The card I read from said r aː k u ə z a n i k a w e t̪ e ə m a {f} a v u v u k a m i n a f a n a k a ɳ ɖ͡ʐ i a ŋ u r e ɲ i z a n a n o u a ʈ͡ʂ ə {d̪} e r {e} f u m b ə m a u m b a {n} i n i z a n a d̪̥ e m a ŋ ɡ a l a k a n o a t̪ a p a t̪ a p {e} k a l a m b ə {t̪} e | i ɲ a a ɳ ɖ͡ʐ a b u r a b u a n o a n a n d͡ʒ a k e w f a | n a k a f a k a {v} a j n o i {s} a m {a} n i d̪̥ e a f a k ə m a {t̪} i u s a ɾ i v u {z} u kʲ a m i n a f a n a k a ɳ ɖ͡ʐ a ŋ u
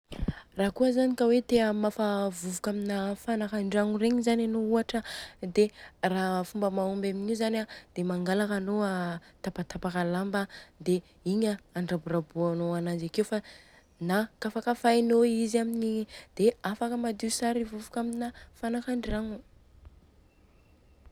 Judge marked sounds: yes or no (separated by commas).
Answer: yes, yes, no, no, no, no, no, no, no, no, no